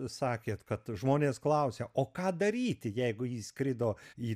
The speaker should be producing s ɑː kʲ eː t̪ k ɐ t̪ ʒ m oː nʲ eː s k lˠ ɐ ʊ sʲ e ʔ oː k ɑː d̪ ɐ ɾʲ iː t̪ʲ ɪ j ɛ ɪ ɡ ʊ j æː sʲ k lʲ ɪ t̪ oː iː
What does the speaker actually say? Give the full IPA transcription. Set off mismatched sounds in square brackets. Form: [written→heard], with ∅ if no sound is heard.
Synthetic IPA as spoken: s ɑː kʲ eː t̪ k ɐ t̪ ʒ m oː nʲ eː s k lˠ ɐ ʊ sʲ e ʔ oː k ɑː d̪ ɐ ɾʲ iː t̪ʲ ɪ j ɛ ɪ ɡ ʊ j [æː→iː] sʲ k [lʲ→ɾʲ] ɪ [t̪→d̪] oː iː